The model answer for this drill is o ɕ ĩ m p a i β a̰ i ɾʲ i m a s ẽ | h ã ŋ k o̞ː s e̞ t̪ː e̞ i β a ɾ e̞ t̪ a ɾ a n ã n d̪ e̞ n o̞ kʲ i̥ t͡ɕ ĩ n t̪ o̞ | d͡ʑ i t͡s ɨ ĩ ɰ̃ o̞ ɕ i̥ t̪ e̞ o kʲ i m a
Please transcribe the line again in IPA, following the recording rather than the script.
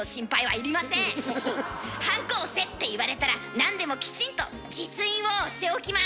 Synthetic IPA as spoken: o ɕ ĩ m p a i β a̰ i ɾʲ i m a s ẽ | h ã ŋ k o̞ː s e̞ t̪ː e̞ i β a ɾ e̞ t̪ a ɾ a n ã n d̪ e̞ m o̞ kʲ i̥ t͡ɕ ĩ n t̪ o̞ | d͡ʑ i t͡s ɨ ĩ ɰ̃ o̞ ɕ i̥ t̪ e̞ o kʲ i m a